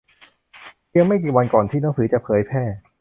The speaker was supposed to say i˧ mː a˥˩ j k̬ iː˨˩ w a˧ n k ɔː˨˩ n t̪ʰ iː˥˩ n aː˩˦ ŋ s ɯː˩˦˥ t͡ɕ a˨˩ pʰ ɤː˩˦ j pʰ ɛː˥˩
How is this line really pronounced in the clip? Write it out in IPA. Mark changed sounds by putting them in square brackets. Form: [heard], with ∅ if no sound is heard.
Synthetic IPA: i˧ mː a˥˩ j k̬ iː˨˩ w a˧ n k ɔː˨˩ n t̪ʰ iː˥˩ n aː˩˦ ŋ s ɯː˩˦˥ t͡ɕ a˨˩ pʰ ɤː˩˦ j pʰ ɛː˥˩